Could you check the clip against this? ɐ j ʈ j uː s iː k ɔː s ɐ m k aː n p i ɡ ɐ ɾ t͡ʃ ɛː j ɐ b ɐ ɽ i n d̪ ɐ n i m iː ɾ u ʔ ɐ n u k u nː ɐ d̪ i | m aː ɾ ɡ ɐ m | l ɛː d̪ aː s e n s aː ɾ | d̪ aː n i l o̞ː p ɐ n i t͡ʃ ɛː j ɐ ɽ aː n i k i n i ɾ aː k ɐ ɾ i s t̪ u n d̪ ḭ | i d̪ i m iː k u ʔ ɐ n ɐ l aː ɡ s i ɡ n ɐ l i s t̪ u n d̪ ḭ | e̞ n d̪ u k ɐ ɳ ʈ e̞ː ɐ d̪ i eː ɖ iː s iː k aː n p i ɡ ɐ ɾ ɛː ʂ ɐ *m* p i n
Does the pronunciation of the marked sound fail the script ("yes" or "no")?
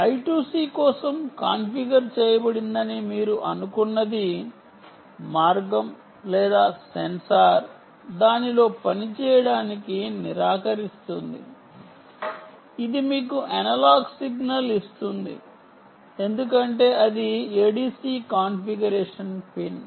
yes